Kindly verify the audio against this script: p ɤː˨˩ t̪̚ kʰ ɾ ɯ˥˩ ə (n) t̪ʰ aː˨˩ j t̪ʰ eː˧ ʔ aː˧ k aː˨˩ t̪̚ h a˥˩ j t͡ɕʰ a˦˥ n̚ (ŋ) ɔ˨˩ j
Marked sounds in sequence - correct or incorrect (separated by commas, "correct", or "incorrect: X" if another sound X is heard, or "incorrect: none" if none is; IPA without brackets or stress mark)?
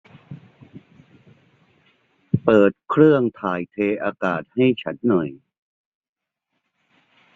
incorrect: ŋ, incorrect: n